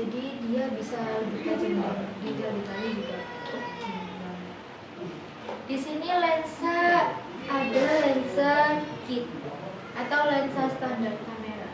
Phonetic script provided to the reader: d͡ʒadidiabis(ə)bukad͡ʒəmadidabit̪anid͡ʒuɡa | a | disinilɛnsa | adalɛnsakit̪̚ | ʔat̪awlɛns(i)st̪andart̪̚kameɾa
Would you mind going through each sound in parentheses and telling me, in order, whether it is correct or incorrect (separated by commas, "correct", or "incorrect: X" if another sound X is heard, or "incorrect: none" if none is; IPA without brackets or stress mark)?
incorrect: a, incorrect: a